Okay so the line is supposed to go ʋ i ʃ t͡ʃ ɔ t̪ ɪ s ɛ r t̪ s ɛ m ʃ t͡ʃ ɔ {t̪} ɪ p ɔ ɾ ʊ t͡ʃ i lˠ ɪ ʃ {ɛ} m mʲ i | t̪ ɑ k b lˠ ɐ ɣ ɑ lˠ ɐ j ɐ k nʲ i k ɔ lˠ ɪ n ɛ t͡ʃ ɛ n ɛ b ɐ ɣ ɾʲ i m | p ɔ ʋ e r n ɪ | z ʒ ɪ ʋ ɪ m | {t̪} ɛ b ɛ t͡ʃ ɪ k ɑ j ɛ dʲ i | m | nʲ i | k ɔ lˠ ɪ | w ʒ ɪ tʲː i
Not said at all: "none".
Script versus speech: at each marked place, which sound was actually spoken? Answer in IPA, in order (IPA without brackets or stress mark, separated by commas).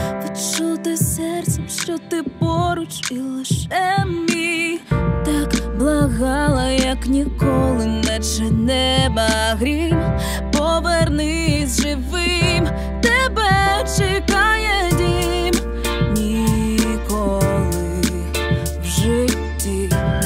t̪, ɛ, t̪